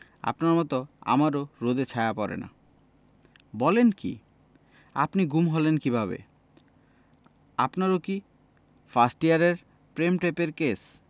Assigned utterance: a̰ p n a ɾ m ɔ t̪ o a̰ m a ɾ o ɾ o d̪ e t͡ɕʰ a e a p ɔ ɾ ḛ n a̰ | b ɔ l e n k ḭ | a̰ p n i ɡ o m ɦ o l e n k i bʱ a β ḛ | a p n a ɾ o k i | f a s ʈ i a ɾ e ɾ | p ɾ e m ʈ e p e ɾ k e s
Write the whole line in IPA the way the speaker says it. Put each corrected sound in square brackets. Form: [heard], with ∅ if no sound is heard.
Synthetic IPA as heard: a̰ p n a ɾ m ɔ t̪ o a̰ m a ɾ o ɾ o d̪ e t͡ɕʰ a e a p ɔ ɾ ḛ n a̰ | b ɔ l e n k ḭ | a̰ p n i ɡ [u] m ɦ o l e n k i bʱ a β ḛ | a p n a ɾ o k i | f a s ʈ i a ɾ e ɾ | p ɾ e m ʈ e p e ɾ k e s